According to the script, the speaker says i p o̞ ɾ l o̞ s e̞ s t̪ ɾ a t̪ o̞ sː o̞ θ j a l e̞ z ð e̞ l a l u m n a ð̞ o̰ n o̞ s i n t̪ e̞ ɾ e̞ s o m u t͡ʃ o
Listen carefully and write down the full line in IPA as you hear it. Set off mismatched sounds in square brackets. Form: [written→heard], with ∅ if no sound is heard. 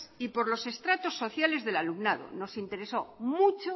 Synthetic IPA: i p o̞ ɾ l o̞ s e̞ s t̪ ɾ a t̪ o̞ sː o̞ θ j a l e̞ z ð e̞ l a l u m n a ð̞ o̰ n o̞ s i n t̪ e̞ ɾ e̞ s o m u t͡ʃ o